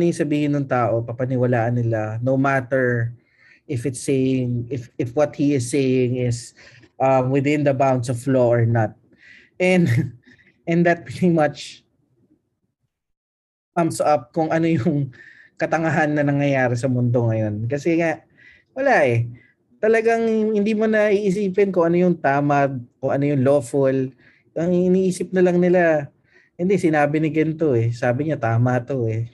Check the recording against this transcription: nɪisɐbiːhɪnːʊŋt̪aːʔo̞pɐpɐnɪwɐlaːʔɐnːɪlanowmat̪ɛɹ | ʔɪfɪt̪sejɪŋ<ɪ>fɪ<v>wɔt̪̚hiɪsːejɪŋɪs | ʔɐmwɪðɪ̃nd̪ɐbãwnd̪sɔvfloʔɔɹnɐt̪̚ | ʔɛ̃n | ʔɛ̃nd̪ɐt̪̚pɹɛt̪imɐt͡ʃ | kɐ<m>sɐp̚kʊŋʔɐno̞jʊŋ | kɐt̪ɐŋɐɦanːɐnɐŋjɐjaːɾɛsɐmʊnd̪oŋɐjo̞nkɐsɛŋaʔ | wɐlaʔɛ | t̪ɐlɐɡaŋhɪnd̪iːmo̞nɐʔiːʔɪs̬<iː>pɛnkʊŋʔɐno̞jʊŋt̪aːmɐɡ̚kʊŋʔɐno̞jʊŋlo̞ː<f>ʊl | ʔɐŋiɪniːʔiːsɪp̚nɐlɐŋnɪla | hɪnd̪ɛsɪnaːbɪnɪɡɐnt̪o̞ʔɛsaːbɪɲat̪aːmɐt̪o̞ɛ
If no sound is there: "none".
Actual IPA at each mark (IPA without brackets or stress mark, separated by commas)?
ɪ, f, m, iː, f